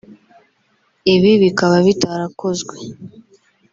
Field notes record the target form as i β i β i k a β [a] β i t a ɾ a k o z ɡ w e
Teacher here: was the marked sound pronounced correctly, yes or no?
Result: yes